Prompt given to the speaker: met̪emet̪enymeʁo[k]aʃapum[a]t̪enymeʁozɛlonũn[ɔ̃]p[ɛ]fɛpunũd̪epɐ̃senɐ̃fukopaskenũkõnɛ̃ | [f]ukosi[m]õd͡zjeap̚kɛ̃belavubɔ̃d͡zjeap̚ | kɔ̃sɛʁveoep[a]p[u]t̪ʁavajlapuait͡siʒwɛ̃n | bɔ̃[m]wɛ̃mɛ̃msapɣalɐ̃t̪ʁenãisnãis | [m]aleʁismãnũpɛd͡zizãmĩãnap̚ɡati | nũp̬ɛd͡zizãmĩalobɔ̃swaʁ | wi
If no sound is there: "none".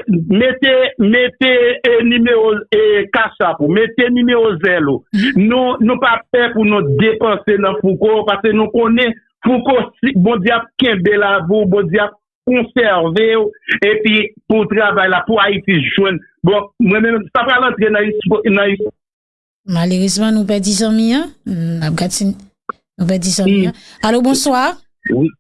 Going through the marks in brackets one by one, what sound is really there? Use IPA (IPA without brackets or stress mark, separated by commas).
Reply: k, e, ũ, a, f, b, i, u, m, m